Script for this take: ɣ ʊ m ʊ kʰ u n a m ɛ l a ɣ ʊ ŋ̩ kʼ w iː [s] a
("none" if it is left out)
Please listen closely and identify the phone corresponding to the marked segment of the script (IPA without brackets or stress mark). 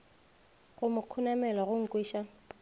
ʃ